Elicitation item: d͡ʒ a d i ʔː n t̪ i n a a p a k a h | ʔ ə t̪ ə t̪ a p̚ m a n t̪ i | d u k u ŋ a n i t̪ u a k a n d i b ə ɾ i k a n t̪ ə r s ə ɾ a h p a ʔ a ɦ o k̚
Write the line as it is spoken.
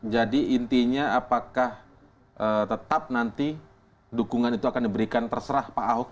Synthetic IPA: d͡ʒ a d i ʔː n t̪ i ɲ a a p a k a h | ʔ ə t̪ ə t̪ a p̚ n a n t̪ i | d u k u ŋ a n i t̪ u a k a n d i b ə ɾ i k a n t̪ ə r s ə ɾ a h p a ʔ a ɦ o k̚